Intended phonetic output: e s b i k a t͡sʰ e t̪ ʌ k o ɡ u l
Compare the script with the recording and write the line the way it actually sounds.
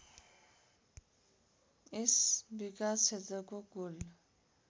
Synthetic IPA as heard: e s b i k a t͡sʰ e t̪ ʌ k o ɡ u l